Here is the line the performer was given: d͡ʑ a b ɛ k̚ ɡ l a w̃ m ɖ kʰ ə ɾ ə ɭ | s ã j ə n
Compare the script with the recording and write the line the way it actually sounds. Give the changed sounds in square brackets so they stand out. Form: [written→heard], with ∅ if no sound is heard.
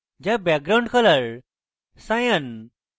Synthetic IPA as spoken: d͡ʑ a b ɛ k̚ ɡ [l→ɾ] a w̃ [m→ɳ] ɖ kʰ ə [ɾ→l] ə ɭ | s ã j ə n